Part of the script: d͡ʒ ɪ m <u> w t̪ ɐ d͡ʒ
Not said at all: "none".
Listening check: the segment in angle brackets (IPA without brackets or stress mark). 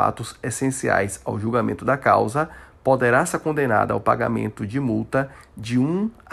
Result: u